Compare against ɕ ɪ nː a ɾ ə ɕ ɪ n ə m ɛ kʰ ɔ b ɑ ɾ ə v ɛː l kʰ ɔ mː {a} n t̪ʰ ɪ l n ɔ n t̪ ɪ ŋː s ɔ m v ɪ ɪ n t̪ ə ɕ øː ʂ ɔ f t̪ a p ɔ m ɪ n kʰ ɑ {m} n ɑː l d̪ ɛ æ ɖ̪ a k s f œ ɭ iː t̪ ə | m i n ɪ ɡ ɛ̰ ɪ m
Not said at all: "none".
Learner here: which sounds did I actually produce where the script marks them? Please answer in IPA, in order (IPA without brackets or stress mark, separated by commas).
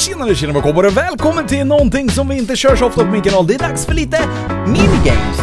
ə, none